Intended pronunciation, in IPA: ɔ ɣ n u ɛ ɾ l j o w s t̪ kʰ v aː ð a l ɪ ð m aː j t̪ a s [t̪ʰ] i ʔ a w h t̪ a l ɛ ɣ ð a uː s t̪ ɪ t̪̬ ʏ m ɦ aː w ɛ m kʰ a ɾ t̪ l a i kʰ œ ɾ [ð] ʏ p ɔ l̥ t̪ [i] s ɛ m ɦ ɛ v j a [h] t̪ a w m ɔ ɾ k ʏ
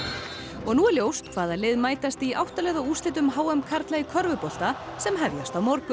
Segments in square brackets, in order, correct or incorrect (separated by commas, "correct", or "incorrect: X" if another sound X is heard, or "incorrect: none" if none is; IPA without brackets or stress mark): incorrect: t̪, incorrect: v, incorrect: a, incorrect: s